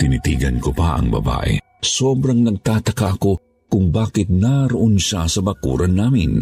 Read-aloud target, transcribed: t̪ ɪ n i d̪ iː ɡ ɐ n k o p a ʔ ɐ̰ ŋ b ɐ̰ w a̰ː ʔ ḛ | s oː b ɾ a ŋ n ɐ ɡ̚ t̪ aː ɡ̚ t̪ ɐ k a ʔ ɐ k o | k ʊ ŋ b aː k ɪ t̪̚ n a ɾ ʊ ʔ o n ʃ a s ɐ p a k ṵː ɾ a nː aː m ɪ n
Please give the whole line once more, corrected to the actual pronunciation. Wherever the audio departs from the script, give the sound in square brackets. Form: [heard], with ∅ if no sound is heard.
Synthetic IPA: t̪ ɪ n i [t̪] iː ɡ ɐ n k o p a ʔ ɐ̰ ŋ b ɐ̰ [b] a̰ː ʔ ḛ | s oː b ɾ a ŋ n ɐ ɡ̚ t̪ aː [∅] t̪ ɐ k a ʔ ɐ k o | k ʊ ŋ b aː k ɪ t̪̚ n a ɾ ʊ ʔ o n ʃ a s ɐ [b] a k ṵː ɾ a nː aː m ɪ n